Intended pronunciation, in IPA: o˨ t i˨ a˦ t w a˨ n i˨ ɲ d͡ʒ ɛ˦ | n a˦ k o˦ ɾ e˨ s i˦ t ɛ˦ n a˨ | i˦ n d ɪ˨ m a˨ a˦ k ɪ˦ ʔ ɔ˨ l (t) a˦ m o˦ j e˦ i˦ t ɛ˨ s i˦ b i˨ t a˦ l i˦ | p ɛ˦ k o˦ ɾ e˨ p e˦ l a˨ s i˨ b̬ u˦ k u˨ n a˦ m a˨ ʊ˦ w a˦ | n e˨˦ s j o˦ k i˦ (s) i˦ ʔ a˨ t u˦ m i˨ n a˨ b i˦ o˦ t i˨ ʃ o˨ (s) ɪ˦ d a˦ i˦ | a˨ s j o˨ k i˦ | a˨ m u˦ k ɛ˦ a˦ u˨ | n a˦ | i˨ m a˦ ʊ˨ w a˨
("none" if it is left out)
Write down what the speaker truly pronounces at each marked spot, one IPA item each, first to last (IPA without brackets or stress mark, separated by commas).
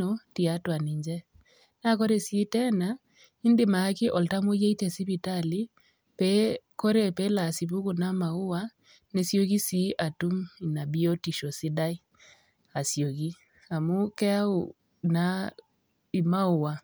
t, s, s